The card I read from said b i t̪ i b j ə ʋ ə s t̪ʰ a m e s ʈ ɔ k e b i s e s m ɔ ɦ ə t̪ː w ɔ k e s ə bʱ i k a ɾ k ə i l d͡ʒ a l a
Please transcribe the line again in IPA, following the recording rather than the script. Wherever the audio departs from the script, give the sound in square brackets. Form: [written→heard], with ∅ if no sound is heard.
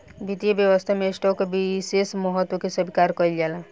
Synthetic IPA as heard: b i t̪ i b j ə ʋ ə s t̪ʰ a m e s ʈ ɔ k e b i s e s m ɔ ɦ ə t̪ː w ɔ k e s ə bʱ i k a ɾ k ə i l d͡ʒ a l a